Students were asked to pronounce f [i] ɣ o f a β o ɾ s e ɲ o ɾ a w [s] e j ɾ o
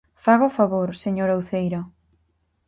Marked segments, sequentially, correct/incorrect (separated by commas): incorrect, incorrect